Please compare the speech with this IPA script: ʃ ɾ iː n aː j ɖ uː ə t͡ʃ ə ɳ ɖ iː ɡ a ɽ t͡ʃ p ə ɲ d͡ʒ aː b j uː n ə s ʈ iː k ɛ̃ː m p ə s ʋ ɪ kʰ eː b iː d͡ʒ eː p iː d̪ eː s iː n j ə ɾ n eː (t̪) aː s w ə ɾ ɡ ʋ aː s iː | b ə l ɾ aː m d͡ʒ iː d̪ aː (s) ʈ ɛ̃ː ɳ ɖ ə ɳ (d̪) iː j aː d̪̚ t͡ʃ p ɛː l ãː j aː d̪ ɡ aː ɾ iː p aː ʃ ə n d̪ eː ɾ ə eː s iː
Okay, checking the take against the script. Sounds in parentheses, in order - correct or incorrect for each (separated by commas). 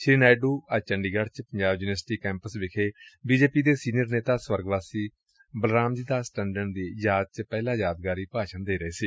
correct, correct, correct